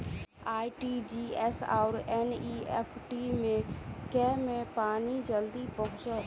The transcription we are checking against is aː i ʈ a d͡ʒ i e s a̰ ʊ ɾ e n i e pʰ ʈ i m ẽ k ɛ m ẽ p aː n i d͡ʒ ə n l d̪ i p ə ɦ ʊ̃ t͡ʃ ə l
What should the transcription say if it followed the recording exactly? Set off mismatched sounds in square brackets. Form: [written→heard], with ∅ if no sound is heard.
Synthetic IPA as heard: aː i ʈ [a→i] d͡ʒ i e s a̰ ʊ ɾ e n i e pʰ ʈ i m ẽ k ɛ m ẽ p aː n i d͡ʒ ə [n→∅] l d̪ i p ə ɦ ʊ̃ t͡ʃ ə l